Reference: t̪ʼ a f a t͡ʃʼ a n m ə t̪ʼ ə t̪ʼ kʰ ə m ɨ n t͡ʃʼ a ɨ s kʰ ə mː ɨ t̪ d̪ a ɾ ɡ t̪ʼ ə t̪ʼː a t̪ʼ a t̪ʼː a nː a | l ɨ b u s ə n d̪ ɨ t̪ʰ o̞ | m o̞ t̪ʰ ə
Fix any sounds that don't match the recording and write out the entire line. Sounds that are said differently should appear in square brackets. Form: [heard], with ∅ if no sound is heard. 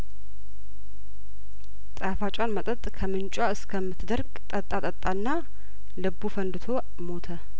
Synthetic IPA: t̪ʼ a f a t͡ʃʼ a n m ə t̪ʼ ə t̪ʼ kʰ ə m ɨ n t͡ʃʼ a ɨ s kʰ ə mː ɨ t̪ d̪ [ə] ɾ ɡ t̪ʼ ə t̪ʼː a t̪ʼ [ə] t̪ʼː a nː a | l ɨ b u [f] ə n d̪ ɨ t̪ʰ o̞ | m o̞ t̪ʰ ə